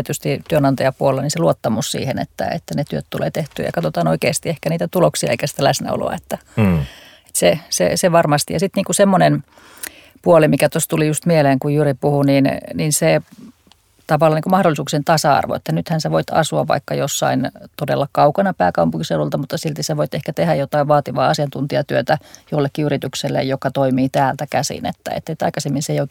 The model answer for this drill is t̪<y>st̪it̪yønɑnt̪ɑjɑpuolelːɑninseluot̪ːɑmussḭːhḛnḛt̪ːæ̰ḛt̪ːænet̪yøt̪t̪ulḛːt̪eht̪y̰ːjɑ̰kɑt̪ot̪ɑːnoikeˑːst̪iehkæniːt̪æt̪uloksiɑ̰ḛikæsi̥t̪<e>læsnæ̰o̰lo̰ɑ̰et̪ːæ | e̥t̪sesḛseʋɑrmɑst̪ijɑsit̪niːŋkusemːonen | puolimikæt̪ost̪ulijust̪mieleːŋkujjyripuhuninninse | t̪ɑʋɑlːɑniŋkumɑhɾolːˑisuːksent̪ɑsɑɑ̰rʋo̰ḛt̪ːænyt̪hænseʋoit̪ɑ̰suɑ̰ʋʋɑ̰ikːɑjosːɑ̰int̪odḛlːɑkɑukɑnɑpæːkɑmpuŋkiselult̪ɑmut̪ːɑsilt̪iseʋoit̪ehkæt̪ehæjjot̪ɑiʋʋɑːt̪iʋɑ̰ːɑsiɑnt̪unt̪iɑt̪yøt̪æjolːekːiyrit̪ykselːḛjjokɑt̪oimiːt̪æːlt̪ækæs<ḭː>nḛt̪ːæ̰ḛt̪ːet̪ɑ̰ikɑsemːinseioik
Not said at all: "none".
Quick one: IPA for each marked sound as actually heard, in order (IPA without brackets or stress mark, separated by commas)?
y, æ, ḭ